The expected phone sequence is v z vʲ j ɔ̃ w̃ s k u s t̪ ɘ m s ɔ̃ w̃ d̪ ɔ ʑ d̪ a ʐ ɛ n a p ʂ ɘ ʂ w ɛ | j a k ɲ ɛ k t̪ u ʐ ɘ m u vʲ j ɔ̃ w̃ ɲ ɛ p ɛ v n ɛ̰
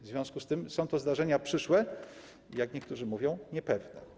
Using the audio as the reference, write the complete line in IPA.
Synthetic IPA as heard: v z vʲ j ɔ̃ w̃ s k u s t̪ ɘ m s ɔ̃ w̃ t̪ ɔ z d̪ a ʐ ɛ ɲ a p ʂ ɘ ʂ w ɛ | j a k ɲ ɛ k t̪ u ʐ ɘ m u vʲ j ɔ̃ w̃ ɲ ɛ p ɛ v n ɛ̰